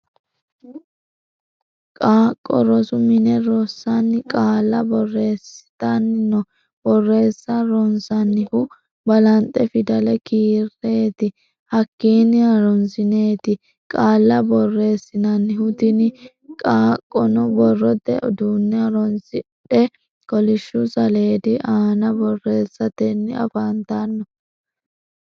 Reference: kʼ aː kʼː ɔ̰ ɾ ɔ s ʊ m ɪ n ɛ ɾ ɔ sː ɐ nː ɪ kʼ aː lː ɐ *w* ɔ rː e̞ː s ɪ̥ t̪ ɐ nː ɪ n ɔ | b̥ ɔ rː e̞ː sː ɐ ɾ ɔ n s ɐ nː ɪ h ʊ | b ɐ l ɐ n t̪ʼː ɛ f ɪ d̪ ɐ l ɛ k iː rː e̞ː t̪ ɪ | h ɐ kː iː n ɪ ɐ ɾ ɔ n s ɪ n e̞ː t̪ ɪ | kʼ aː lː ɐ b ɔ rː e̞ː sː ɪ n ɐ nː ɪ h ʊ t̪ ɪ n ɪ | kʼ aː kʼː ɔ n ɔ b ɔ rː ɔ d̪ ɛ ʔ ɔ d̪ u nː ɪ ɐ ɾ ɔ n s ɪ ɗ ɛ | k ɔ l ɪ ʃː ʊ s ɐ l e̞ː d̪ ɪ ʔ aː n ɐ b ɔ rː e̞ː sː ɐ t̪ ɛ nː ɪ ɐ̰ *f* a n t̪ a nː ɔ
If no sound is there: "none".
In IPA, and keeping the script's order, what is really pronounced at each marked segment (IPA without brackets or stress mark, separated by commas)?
b, f